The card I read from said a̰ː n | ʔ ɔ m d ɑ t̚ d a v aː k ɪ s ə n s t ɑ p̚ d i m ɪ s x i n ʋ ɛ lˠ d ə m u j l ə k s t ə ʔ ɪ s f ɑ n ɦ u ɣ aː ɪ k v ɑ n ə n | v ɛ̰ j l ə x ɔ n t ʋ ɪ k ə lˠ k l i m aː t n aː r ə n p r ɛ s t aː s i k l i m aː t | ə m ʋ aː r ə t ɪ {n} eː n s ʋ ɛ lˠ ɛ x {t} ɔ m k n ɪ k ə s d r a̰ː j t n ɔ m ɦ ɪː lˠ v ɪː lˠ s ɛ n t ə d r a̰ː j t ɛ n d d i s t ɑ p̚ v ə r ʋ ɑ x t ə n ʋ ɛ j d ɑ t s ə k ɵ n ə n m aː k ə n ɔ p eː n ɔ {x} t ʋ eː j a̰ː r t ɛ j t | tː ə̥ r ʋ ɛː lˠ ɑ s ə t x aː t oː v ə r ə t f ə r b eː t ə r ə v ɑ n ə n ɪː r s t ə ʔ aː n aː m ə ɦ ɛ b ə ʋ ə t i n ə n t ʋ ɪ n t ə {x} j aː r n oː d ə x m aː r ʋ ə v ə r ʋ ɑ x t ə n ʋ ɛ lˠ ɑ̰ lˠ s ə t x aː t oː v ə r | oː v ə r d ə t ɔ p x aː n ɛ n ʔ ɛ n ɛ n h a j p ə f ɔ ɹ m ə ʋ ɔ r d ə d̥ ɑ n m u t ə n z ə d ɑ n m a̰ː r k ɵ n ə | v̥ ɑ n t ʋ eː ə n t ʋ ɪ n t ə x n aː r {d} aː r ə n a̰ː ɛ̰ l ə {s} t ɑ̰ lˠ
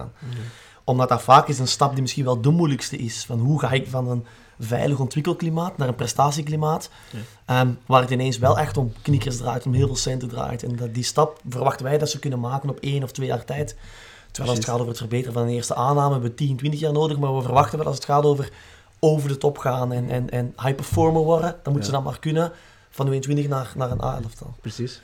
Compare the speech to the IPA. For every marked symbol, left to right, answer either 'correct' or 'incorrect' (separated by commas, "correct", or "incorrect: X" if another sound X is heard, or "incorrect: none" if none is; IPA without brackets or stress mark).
correct, correct, incorrect: f, correct, incorrect: n, incorrect: f